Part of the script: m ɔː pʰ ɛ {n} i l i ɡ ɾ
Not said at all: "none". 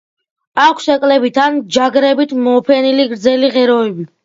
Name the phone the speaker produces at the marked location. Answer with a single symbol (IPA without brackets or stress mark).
n